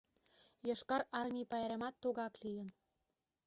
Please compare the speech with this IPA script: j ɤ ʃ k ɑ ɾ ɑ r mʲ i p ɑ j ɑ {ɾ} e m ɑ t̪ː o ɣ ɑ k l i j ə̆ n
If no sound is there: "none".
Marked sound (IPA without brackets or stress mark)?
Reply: ɾ